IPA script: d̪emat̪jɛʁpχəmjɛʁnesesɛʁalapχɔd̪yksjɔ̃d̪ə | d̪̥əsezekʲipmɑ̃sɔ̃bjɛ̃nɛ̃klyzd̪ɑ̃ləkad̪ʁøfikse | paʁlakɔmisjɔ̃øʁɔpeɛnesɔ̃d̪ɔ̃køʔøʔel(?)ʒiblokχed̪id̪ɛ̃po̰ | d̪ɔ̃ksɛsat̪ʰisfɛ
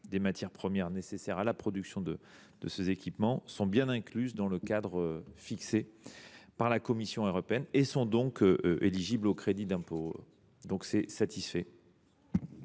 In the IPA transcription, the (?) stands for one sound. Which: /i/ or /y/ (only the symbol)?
i